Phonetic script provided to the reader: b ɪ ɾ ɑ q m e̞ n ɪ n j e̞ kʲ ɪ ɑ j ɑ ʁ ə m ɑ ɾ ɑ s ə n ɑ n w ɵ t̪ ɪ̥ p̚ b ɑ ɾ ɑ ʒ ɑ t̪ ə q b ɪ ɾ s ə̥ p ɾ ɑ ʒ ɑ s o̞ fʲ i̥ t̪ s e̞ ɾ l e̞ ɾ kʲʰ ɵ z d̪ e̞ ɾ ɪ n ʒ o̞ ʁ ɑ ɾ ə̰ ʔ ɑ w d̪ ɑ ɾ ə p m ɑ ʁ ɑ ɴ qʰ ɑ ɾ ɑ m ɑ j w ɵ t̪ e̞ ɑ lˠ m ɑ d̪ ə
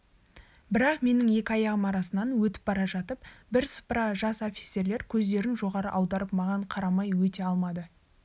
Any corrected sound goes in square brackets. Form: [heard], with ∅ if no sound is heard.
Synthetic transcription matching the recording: b ɪ ɾ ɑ q m e̞ n ɪ [ŋ] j e̞ kʲ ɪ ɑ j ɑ ʁ ə m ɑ ɾ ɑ s ə n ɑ n w ɵ t̪ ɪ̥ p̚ b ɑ ɾ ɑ ʒ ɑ t̪ ə [p] b ɪ ɾ s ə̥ p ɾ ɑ ʒ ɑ s o̞ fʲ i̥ t̪ s e̞ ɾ l e̞ ɾ kʲʰ ɵ z d̪ e̞ ɾ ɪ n ʒ o̞ ʁ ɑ ɾ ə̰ ʔ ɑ w d̪ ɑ ɾ ə p m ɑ ʁ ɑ ɴ qʰ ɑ ɾ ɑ m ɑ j w ɵ t̪ e̞ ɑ lˠ m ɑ d̪ ə